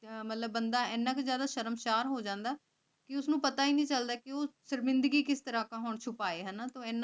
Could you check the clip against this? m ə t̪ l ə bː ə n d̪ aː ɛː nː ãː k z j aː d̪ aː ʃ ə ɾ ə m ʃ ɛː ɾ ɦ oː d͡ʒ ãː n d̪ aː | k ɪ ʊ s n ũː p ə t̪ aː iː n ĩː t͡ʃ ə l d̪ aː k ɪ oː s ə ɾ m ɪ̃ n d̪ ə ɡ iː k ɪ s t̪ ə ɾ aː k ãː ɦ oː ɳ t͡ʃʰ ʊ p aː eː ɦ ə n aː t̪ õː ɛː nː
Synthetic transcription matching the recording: m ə t̪ l ə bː ə n d̪ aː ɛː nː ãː k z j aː d̪ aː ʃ ə ɾ ə m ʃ aː ɾ ɦ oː d͡ʒ ãː n d̪ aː | k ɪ ʊ s n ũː p ə t̪ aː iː n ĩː t͡ʃ ə l d̪ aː k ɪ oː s ə ɾ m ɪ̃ n d̪ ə ɡ iː k ɪ s t̪ ə ɾ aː k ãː ɦ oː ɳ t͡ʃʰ ʊ p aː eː ɦ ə n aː t̪ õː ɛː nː